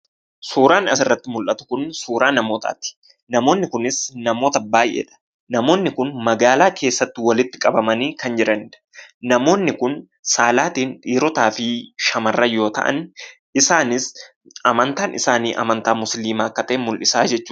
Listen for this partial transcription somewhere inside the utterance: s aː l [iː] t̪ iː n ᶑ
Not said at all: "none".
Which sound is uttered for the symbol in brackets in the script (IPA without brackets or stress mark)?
aː